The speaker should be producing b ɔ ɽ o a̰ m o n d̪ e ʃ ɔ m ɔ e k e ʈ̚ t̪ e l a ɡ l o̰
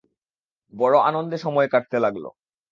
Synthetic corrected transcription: b ɔ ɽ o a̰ n o n d̪ e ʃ ɔ m ɔ e k a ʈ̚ t̪ e l a ɡ l o̰